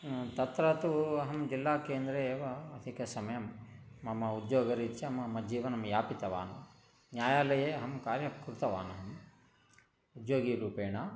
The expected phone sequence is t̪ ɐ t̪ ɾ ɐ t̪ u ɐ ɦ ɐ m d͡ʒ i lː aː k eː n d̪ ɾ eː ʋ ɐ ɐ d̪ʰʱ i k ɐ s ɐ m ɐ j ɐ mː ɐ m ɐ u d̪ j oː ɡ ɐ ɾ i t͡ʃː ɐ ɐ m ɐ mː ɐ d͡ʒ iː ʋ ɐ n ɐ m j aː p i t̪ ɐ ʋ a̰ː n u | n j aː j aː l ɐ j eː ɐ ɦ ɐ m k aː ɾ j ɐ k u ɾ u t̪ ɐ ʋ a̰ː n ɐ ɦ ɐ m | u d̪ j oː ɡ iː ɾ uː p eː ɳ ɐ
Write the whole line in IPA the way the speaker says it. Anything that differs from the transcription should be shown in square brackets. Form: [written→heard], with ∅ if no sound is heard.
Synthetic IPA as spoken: t̪ ɐ t̪ ɾ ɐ t̪ u ɐ ɦ ɐ m d͡ʒ i lː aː k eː n d̪ ɾ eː ʋ ɐ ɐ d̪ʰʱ i k ɐ s ɐ m ɐ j ɐ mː ɐ m ɐ u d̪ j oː ɡ ɐ ɾ i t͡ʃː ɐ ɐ m ɐ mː ɐ d͡ʒ iː ʋ ɐ n ɐ m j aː p i t̪ ɐ ʋ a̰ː n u | n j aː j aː l ɐ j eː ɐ ɦ ɐ m k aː ɾ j ɐ k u ɾ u t̪ ɐ ʋ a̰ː n ɐ ɦ ɐ m | u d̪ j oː ɡ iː ɾ uː p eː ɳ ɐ